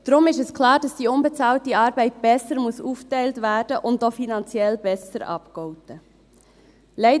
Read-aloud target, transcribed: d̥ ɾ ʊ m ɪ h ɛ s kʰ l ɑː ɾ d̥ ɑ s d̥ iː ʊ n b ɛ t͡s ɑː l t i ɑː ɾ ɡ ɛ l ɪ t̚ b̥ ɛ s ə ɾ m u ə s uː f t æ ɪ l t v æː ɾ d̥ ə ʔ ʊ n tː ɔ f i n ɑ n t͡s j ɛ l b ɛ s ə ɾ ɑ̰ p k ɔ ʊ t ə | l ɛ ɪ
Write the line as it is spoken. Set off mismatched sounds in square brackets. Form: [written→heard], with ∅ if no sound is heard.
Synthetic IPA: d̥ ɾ ʊ m ɪ [h→ʃ] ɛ s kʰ l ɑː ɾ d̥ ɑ s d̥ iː ʊ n b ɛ t͡s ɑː l t i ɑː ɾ [ɡ→b] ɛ [l→∅] ɪ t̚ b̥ ɛ s ə ɾ m u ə s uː f t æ ɪ l t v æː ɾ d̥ ə ʔ ʊ n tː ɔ f i n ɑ n t͡s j ɛ l b ɛ s ə ɾ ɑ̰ p k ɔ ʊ t ə | l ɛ ɪ